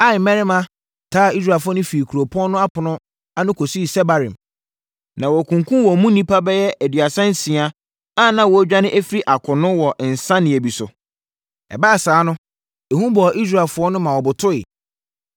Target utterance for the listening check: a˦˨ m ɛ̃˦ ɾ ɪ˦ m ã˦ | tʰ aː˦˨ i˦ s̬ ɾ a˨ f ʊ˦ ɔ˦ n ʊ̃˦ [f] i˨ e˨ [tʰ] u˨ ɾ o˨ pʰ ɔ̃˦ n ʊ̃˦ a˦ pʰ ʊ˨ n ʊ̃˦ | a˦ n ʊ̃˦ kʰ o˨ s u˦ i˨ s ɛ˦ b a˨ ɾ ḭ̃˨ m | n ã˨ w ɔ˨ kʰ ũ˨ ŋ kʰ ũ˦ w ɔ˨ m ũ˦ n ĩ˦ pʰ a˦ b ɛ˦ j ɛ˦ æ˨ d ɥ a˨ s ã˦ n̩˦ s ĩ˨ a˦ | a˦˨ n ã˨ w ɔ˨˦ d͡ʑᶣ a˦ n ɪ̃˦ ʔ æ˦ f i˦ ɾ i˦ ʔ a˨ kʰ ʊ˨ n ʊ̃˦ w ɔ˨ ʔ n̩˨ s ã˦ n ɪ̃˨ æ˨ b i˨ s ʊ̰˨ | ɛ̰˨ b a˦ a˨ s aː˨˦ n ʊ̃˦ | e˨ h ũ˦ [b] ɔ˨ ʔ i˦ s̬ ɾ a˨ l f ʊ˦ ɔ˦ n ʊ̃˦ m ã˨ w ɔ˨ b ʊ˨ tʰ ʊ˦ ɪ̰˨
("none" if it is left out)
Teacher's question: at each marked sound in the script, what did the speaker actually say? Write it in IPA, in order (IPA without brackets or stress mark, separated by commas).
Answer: f, kʰ, b